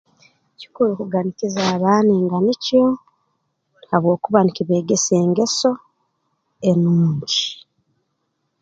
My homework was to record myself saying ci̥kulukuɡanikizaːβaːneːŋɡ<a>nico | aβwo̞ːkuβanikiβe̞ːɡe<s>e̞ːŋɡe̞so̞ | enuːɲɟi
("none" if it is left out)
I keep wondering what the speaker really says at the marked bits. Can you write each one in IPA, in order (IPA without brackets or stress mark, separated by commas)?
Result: a, s